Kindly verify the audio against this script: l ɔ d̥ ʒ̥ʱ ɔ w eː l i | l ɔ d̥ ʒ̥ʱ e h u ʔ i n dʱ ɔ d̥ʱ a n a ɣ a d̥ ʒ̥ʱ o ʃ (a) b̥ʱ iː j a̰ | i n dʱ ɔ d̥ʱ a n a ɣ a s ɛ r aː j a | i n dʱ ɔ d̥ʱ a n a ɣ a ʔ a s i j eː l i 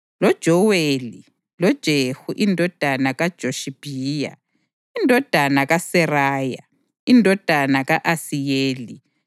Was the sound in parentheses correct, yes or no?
no